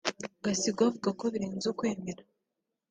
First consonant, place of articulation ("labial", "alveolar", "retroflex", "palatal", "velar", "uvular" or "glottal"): velar